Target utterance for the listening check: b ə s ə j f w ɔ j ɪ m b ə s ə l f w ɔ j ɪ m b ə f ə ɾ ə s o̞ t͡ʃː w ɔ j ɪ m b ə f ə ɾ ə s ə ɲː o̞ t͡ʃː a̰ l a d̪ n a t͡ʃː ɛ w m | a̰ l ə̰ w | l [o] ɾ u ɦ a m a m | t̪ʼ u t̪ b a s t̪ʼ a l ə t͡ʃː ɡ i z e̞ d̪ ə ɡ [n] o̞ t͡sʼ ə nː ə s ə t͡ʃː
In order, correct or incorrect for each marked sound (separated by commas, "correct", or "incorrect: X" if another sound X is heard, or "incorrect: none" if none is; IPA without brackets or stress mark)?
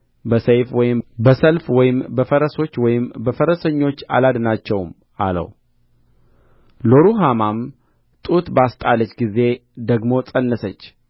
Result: correct, incorrect: m